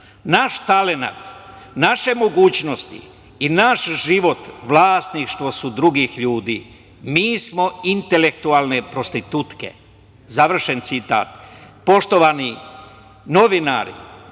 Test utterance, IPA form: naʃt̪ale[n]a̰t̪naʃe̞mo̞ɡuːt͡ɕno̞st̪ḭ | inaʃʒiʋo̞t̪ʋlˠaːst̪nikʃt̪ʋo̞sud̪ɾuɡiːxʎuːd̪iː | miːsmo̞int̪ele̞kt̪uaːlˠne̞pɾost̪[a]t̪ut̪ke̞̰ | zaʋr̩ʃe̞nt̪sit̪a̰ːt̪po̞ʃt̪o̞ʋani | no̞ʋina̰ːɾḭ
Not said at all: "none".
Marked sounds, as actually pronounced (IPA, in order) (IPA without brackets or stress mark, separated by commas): n, i